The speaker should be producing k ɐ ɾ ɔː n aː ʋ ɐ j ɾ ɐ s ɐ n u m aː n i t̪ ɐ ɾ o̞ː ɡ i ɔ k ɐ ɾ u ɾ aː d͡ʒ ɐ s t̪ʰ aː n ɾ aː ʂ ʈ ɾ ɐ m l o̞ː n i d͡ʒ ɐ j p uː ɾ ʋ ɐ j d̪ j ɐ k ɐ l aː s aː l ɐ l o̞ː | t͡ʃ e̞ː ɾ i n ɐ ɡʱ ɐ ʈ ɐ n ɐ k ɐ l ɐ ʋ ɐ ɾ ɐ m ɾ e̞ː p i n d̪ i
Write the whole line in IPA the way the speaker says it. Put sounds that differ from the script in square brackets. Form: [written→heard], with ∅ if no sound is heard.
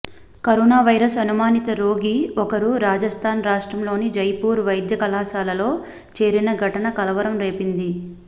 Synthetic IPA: k ɐ ɾ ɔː n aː ʋ ɐ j ɾ ɐ s ɐ n u m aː n i t̪ ɐ ɾ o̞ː ɡ i ɔ k ɐ ɾ u ɾ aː d͡ʒ ɐ s t̪ʰ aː n ɾ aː ʂ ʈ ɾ ɐ m l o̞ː n i d͡ʒ ɐ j p uː ɾ ʋ ɐ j d̪ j ɐ k ɐ l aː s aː l ɐ l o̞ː | t͡ʃ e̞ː ɾ i n ɐ ɡʱ ɐ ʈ ɐ n ɐ k ɐ l ɐ ʋ ɐ ɾ ɐ m ɾ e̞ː p i n d̪ i